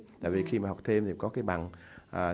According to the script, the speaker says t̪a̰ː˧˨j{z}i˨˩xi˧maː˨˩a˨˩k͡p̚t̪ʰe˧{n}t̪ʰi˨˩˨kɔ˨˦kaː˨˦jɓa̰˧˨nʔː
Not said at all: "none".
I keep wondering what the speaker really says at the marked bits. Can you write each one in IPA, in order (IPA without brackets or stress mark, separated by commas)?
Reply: v, m